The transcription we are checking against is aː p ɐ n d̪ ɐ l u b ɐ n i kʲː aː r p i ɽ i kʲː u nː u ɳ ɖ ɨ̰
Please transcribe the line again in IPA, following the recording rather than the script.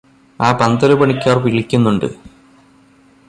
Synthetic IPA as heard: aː p ɐ n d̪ ɐ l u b ɐ ɳ i kʲː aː r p i ɭ i kʲː u nː u ɳ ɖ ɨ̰